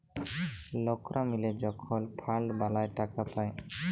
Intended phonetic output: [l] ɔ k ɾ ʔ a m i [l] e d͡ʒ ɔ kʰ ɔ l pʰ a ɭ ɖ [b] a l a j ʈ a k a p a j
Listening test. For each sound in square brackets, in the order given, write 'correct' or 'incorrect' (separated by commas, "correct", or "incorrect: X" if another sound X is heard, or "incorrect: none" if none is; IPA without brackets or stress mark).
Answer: correct, correct, correct